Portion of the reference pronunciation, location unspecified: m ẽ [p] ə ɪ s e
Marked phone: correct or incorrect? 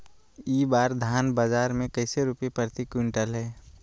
incorrect